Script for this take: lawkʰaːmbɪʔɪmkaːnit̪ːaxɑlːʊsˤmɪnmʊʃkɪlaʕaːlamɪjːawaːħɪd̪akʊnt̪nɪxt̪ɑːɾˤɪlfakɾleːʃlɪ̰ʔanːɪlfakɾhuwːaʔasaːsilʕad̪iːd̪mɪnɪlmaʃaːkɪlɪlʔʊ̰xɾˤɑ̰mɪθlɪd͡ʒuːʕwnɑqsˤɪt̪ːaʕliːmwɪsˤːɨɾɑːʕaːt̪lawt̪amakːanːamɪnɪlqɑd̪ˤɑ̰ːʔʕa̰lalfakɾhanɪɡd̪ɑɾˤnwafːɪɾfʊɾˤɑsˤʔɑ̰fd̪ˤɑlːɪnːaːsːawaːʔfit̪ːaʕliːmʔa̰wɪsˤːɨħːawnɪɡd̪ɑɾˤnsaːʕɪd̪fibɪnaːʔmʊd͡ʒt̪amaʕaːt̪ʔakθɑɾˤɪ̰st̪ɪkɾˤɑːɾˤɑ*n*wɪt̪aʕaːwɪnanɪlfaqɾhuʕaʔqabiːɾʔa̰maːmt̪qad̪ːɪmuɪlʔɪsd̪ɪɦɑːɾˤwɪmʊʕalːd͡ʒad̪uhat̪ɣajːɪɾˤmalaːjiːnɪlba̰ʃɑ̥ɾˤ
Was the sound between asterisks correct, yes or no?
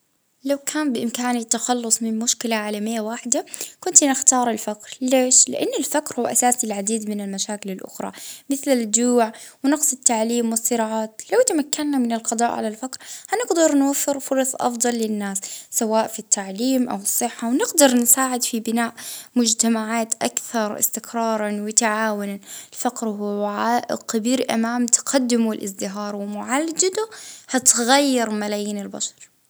yes